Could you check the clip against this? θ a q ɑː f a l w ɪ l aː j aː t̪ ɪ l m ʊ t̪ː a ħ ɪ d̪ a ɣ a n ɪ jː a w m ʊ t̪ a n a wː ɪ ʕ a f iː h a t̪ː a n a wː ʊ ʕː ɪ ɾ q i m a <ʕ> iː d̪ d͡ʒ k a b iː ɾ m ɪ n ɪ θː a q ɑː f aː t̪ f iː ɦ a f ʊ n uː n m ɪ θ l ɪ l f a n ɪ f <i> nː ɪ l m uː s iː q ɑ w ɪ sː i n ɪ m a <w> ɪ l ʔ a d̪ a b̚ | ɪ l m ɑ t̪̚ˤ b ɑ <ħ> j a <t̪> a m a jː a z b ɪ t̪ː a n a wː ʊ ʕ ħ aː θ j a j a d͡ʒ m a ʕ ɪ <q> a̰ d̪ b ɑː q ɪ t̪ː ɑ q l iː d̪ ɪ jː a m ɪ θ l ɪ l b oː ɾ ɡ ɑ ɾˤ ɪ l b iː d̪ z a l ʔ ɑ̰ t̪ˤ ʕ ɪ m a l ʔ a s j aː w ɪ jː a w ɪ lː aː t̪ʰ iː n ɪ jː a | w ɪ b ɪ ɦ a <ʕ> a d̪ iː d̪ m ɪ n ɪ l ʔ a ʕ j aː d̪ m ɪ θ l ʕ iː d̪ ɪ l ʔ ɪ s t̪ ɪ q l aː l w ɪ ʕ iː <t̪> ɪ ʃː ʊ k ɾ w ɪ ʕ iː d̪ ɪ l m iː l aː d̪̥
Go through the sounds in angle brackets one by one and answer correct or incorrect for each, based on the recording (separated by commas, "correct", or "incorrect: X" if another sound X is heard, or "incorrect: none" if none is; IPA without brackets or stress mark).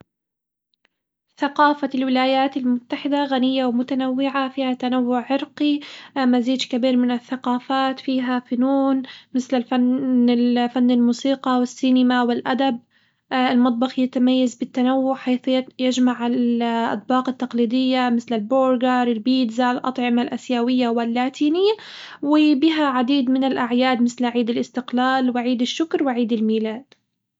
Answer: incorrect: z, incorrect: a, correct, incorrect: x, correct, incorrect: ʔ, correct, incorrect: d̪